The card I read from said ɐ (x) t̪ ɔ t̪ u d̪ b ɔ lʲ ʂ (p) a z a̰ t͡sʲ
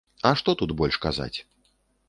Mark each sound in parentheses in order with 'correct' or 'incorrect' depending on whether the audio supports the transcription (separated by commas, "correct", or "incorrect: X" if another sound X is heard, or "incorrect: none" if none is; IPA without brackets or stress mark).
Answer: incorrect: ʂ, incorrect: k